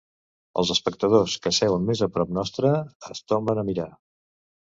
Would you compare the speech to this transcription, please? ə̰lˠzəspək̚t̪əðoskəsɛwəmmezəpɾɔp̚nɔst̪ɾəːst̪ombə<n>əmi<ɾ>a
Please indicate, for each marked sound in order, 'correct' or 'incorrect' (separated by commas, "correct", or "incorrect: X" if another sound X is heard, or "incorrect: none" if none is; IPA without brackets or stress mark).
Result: correct, correct